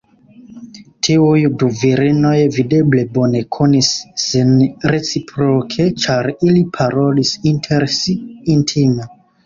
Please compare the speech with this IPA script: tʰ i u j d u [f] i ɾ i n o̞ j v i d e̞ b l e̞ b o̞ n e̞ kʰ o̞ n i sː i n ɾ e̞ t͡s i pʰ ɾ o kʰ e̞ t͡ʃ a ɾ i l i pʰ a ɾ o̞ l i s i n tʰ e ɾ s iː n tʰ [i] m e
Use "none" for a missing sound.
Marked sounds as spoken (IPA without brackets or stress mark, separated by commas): v, i